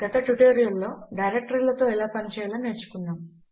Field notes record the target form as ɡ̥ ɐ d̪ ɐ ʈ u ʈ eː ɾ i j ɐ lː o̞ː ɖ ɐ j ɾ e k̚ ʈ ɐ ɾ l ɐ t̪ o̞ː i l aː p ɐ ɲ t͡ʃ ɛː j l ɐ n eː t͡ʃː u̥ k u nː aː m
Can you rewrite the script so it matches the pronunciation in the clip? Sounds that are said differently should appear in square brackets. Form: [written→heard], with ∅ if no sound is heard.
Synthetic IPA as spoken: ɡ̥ ɐ [d̪→t̪] ɐ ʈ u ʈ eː ɾ i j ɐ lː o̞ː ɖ ɐ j ɾ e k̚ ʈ ɐ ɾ l ɐ t̪ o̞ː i l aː p ɐ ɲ t͡ʃ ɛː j l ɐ n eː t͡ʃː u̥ k u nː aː m